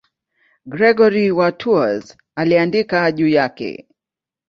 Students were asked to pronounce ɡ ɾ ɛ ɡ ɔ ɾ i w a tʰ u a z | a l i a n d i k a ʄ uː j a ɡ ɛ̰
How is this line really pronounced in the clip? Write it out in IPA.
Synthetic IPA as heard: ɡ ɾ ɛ ɡ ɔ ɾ i w a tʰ u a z | a l i a n d i k a ʄ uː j a k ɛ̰